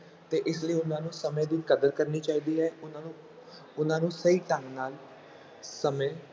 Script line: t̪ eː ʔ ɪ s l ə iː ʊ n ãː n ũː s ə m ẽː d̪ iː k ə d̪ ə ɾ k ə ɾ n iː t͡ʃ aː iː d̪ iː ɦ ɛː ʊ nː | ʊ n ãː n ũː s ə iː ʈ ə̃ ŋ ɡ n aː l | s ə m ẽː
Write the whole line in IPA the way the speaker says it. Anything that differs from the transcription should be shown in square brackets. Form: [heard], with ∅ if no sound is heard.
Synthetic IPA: t̪ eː ʔ ɪ s l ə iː ʊ n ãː n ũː s ə m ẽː d̪ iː k ə d̪ ə ɾ k ə ɾ n iː t͡ʃ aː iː d̪ iː ɦ ɛː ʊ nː | ʊ n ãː n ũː s ə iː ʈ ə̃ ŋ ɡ n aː l | s ə m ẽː